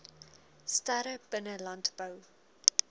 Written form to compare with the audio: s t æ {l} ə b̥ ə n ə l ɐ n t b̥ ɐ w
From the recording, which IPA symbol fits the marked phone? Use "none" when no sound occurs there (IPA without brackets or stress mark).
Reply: ɾ